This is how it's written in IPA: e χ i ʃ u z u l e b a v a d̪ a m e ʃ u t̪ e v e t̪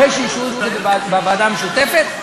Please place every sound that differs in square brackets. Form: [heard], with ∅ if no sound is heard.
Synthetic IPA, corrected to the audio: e [ʃ] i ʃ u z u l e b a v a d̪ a m e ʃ u t̪ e [f] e t̪